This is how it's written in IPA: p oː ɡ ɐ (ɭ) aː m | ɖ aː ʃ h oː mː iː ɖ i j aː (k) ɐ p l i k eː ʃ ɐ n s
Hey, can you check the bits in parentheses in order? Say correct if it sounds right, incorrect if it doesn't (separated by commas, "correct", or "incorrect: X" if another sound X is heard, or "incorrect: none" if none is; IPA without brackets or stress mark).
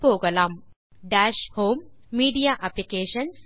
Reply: incorrect: l, incorrect: ʔ